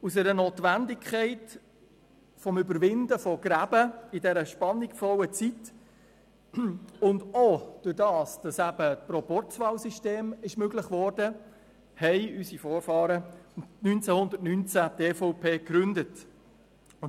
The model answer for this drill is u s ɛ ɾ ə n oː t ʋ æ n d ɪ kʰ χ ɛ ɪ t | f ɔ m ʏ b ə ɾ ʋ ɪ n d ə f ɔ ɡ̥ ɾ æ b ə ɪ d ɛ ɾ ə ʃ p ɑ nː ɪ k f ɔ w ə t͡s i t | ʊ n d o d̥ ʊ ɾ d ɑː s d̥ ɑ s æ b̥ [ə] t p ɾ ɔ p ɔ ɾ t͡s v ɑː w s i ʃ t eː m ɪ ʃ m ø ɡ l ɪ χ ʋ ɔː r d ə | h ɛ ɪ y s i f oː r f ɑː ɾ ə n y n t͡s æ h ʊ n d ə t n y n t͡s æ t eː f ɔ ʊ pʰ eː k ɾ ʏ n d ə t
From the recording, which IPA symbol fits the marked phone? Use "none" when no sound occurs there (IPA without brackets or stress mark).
ə